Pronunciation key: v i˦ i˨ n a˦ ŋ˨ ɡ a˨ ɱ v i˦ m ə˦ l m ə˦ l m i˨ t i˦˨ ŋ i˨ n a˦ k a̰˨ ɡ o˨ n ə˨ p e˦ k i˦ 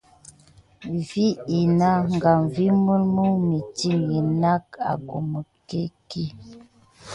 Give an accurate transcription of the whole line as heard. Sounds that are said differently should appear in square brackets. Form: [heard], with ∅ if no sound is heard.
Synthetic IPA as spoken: v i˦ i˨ n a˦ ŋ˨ ɡ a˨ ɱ v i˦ m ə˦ l m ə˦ [∅] m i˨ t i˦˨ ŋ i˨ n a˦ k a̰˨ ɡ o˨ [m] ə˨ [k] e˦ k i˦